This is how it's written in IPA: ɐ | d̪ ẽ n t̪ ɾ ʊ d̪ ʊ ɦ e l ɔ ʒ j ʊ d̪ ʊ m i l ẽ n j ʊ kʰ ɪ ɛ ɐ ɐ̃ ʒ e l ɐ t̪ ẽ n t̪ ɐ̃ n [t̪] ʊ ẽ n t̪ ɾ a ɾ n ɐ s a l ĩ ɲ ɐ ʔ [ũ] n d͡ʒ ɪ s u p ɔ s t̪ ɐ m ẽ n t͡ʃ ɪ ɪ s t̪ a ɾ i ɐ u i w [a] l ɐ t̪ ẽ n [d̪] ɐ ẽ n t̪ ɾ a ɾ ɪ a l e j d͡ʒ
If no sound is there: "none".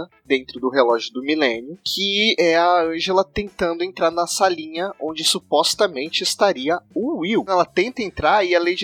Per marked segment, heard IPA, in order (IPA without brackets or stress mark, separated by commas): d̪, õ, ɛ, t̪